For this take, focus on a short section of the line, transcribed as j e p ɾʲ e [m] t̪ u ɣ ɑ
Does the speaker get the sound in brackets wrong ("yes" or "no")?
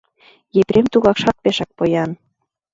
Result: no